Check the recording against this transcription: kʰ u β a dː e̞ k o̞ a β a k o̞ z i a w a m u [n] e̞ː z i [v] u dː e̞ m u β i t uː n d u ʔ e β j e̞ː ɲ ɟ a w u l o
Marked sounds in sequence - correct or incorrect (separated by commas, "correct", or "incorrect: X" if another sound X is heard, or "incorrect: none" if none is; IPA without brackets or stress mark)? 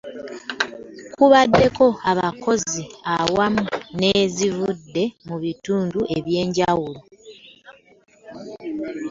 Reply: correct, correct